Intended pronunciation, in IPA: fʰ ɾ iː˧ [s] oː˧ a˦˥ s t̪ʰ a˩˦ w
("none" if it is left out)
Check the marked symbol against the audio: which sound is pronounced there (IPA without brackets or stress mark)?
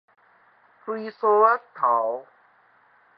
s